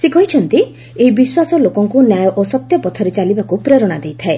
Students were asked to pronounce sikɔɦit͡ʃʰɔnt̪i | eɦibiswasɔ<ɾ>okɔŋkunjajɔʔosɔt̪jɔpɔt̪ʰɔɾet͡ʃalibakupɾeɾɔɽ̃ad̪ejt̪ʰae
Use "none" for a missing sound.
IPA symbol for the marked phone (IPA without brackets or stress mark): l